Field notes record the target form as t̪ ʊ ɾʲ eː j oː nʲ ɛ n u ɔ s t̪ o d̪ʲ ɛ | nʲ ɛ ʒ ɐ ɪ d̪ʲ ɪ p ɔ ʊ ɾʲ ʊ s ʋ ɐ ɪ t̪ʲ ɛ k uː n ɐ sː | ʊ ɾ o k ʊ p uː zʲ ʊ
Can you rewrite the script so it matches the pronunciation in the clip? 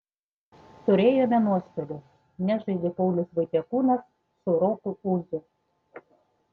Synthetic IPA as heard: t̪ ʊ ɾʲ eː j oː mʲ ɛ n u ɔ s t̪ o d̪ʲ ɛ | nʲ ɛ ʒ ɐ ɪ d̪ʲ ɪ p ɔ ʊ lʲ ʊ s ʋ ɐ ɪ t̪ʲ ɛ k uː n ɐ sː | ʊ ɾ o k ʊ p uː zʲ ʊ